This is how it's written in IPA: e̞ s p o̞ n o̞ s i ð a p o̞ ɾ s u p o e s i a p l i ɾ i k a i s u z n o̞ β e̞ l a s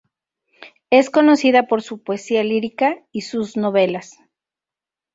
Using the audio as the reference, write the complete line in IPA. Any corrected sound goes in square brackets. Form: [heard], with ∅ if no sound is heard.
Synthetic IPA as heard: e̞ s [k] o̞ n o̞ s i ð a p o̞ ɾ s u p o e s i a [∅] l i ɾ i k a i s u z n o̞ β e̞ l a s